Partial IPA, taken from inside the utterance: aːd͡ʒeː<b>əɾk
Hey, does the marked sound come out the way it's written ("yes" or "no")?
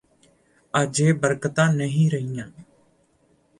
yes